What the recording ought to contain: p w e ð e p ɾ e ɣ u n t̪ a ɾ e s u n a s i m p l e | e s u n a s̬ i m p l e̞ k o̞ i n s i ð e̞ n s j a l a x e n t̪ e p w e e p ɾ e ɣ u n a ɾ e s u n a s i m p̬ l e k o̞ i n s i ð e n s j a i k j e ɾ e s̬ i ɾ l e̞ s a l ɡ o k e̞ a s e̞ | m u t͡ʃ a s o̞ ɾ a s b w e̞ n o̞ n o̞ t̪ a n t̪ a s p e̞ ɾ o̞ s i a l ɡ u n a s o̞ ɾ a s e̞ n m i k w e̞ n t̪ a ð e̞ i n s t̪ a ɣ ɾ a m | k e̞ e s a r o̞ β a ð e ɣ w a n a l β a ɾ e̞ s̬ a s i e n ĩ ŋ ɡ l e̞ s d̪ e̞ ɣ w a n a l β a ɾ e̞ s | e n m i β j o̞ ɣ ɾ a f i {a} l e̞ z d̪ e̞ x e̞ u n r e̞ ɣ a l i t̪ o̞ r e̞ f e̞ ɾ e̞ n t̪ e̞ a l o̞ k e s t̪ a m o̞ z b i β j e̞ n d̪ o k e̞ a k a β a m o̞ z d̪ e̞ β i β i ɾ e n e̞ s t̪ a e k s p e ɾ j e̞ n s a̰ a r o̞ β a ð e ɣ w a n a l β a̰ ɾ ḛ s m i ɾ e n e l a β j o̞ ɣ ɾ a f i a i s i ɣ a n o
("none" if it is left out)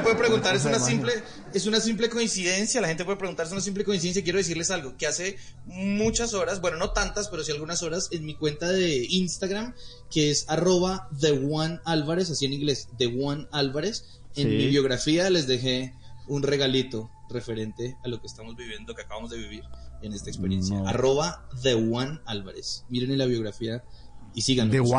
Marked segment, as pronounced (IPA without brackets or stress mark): a